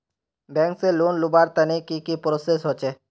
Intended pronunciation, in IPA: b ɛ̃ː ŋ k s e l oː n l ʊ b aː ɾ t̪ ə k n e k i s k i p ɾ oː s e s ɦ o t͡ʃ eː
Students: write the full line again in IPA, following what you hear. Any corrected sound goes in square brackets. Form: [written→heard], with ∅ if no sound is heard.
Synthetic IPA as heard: b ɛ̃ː ŋ k s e l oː n l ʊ b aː ɾ t̪ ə [k→∅] n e k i [s→∅] k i p ɾ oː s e s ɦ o t͡ʃ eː